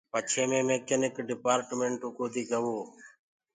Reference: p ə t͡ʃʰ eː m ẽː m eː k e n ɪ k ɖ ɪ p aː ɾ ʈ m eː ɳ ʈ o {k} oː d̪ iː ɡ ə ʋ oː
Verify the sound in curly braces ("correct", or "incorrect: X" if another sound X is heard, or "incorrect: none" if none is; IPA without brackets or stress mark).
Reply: correct